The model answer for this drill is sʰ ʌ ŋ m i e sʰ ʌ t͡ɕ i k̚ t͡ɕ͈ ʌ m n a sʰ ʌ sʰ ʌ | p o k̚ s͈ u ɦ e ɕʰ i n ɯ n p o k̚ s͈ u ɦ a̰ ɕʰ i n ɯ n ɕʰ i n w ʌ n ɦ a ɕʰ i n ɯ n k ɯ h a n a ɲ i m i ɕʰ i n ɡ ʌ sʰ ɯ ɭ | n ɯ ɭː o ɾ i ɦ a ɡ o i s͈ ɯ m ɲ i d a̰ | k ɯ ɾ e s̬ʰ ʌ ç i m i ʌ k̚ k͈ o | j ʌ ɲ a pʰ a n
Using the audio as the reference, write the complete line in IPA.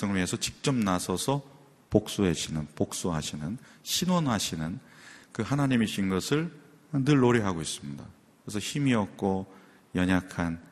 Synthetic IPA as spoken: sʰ ʌ ŋ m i e sʰ ʌ t͡ɕ i k̚ t͡ɕ͈ ʌ m n a sʰ ʌ sʰ ʌ | p o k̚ s͈ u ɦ e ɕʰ i n ɯ n p o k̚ s͈ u ɦ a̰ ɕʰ i n ɯ n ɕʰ i n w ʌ n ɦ a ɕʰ i n ɯ n k ɯ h a n a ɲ i m i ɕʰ i n ɡ ʌ sʰ ɯ ɭ | n ɯ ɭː o ɾ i ɦ a ɡ o i s͈ ɯ m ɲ i d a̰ | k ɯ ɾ e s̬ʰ ʌ ç i m i ʌ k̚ k͈ o | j ʌ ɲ a kʰ a n